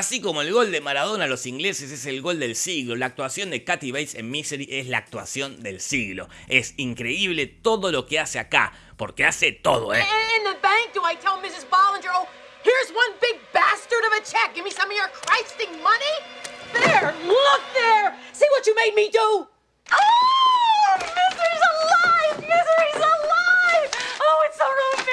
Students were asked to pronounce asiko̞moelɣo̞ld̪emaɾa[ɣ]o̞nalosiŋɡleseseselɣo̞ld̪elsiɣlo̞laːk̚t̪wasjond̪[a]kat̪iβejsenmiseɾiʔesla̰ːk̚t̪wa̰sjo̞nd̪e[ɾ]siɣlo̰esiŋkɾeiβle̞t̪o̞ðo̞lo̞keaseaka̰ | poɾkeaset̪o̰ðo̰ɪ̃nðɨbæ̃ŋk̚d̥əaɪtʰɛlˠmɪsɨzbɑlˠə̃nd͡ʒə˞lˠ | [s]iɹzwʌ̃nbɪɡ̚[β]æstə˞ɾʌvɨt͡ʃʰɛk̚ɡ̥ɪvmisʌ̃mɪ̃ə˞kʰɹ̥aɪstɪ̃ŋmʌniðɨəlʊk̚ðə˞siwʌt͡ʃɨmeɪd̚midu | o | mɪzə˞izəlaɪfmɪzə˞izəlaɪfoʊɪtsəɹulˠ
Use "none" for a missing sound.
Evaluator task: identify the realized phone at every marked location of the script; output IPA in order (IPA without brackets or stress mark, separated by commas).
ð, e, l, h, b